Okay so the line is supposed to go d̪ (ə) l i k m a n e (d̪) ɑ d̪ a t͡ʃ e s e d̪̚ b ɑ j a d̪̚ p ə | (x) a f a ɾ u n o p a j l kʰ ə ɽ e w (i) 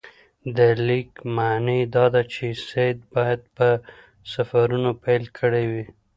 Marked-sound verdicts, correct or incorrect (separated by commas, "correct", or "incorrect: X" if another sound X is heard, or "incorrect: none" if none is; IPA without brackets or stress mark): correct, correct, incorrect: s, correct